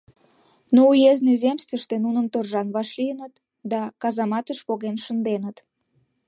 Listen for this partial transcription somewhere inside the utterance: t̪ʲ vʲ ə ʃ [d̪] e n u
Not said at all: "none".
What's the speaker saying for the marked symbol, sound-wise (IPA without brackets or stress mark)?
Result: t̪